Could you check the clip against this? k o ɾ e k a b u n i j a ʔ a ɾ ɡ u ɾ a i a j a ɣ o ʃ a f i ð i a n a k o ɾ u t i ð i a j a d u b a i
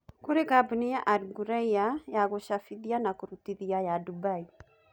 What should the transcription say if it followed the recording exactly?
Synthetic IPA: k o ɾ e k a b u n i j a ʔ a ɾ ɡ u ɾ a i a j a ɣ o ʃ a f i ð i a n a k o ɾ u t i ð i a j a d u b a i